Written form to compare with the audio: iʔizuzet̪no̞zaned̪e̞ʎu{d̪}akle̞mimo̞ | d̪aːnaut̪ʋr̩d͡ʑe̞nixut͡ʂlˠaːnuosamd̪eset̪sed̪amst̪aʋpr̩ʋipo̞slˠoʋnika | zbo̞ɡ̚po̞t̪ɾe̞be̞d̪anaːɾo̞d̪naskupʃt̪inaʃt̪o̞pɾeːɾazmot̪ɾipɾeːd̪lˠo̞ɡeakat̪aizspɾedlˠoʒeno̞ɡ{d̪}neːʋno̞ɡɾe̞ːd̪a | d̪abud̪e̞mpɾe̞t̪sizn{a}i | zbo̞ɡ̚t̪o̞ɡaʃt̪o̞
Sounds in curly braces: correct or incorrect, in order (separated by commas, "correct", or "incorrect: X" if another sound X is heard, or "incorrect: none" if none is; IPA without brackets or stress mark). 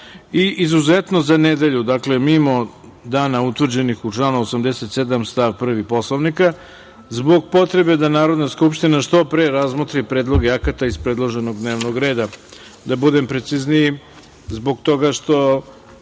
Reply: correct, correct, incorrect: i